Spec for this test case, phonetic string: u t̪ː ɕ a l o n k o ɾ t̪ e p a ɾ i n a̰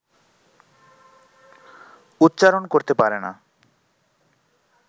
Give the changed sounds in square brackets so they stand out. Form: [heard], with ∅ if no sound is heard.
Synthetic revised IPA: u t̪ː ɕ a [ɾ] o n k o ɾ t̪ e p a ɾ [e] n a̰